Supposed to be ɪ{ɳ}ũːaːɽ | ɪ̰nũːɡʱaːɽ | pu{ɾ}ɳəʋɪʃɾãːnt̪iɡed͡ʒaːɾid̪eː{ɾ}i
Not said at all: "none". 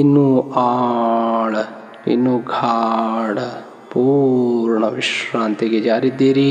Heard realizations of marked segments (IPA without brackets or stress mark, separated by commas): n, ɾ, ɾ